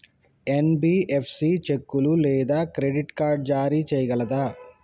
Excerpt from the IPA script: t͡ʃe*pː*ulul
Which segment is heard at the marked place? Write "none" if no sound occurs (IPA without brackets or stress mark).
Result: kː